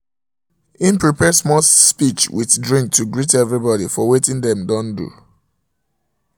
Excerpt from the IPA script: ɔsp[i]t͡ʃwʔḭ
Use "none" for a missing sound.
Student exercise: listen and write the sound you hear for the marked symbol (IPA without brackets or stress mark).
i